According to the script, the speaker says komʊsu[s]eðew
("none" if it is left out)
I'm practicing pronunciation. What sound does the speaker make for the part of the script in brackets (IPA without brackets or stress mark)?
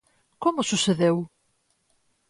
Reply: s